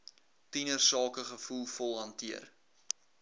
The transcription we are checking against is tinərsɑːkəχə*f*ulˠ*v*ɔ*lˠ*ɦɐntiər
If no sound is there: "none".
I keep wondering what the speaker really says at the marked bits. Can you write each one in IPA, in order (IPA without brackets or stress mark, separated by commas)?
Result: f, f, lˠ